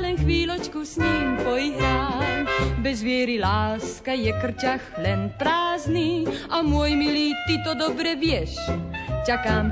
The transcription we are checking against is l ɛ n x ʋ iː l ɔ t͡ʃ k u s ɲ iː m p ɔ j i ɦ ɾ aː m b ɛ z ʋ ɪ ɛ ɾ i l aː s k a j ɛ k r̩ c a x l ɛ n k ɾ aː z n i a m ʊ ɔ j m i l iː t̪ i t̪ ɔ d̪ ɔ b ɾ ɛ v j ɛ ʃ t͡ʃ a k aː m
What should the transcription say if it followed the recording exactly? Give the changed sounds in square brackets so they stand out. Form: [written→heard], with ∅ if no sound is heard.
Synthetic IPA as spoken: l ɛ n x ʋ iː l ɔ t͡ʃ k u s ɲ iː m p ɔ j i ɦ ɾ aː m b ɛ z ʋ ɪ ɛ ɾ i l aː s k a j ɛ k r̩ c a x l ɛ n [k→p] ɾ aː z n i a m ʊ ɔ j m i l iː t̪ i t̪ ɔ d̪ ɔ b ɾ ɛ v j ɛ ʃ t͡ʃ a k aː m